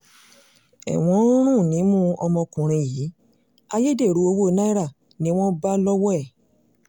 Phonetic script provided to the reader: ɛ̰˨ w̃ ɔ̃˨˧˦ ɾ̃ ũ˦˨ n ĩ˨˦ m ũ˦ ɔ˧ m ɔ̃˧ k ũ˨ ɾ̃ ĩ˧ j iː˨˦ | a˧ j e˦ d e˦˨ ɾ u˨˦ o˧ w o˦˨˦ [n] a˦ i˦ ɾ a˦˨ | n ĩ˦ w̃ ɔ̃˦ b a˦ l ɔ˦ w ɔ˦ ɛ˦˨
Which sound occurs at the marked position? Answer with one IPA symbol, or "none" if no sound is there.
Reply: n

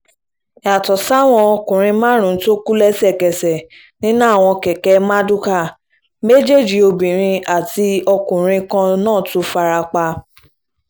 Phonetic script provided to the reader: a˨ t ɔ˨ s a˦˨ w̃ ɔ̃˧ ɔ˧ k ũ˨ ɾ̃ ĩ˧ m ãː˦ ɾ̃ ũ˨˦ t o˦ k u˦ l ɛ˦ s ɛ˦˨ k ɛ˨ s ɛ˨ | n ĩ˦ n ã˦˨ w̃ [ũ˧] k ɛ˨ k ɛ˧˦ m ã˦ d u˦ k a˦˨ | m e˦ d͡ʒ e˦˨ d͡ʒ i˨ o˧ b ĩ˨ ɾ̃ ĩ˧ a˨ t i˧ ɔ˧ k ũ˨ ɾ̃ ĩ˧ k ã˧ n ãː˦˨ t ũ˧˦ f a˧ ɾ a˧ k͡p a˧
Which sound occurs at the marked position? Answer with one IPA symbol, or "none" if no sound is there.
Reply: ɔ̃˧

